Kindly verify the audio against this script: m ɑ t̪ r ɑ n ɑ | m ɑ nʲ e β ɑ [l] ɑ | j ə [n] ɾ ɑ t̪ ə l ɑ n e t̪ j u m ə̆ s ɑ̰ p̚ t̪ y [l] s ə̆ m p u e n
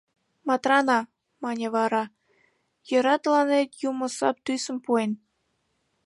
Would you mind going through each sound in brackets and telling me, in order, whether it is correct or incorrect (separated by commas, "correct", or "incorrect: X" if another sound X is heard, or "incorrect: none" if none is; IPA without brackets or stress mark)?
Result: incorrect: ɾ, incorrect: none, incorrect: none